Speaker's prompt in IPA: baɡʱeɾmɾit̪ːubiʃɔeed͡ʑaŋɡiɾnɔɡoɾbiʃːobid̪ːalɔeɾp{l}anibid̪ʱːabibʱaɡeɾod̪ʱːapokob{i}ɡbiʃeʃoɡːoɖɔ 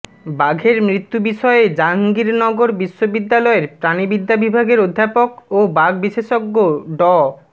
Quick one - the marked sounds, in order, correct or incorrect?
incorrect: ɾ, incorrect: a

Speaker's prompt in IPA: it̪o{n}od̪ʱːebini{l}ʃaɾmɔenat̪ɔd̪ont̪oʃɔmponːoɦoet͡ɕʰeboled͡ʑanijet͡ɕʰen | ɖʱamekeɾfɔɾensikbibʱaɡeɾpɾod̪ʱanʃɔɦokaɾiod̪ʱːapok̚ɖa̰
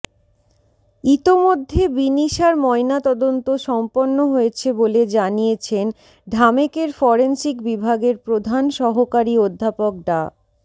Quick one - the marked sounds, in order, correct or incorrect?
incorrect: m, incorrect: none

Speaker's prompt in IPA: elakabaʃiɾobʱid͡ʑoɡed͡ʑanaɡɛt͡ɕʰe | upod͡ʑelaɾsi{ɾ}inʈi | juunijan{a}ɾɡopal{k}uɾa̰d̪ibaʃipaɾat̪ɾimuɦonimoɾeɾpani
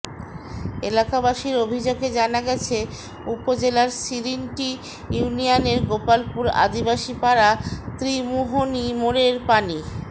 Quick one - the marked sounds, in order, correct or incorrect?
correct, incorrect: e, incorrect: p

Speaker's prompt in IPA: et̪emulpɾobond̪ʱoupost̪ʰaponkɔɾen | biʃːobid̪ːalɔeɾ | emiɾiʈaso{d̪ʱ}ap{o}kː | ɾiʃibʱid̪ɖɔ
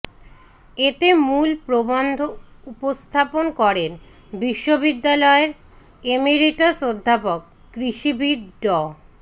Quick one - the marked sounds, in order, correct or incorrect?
incorrect: d̪ʱː, correct

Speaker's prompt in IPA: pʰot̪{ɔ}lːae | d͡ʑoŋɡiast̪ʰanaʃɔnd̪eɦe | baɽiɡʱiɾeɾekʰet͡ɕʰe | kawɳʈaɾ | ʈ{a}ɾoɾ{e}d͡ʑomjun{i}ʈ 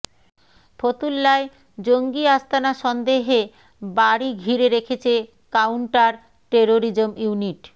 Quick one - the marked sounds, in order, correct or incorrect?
incorrect: u, incorrect: e, incorrect: i, correct

